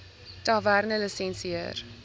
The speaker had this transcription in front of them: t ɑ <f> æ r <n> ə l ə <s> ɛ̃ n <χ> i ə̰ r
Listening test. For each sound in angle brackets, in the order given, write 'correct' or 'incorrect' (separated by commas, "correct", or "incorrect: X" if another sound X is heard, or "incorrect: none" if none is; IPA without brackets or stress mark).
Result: incorrect: v, correct, correct, incorrect: s